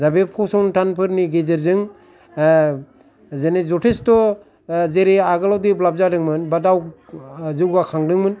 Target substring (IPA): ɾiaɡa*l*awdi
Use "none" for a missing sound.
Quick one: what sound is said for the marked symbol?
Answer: l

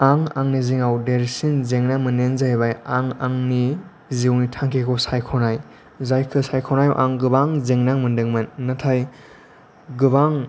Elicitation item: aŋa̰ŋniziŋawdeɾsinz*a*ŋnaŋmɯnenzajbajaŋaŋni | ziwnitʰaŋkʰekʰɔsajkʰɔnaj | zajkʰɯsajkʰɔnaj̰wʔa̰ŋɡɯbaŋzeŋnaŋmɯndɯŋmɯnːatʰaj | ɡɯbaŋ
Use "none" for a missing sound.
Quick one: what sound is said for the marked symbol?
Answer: e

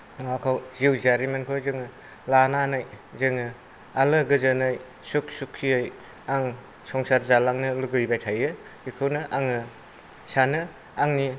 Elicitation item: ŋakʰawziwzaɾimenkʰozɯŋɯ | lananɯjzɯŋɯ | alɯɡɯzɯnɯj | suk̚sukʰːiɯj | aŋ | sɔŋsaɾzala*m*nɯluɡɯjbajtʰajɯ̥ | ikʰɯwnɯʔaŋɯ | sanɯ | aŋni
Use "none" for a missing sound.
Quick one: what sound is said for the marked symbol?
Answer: ŋ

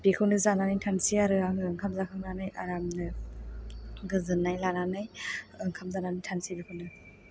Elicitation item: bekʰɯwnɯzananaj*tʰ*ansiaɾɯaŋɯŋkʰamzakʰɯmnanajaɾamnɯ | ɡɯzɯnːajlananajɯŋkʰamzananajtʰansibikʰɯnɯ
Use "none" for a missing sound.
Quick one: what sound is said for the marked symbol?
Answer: tʰ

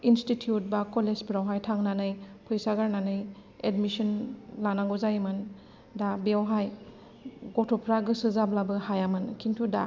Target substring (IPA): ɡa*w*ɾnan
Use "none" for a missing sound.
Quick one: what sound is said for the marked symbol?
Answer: none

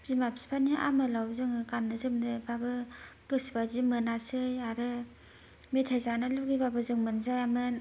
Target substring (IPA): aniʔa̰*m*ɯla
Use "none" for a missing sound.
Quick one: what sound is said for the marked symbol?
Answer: m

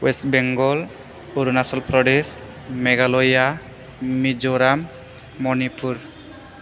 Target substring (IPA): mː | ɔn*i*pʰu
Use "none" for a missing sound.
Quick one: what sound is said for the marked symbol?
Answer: i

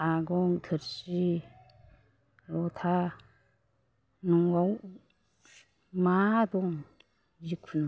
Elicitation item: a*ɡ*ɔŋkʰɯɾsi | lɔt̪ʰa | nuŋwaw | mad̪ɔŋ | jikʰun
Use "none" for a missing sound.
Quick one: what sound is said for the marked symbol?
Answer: ɡ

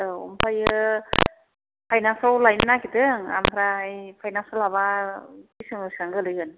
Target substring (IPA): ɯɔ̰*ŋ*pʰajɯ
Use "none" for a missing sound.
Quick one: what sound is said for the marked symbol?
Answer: m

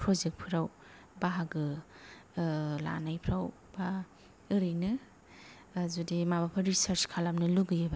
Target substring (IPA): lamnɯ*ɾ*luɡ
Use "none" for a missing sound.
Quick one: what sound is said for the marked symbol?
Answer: none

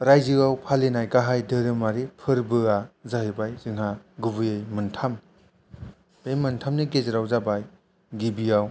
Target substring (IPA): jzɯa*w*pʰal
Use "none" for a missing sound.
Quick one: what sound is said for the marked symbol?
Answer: w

